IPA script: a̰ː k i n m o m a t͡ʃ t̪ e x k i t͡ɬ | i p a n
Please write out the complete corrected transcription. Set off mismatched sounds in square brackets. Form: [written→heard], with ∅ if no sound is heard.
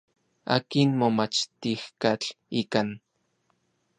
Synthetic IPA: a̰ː k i n m o m a t͡ʃ t̪ [e→i] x k [i→a] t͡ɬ | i [p→k] a n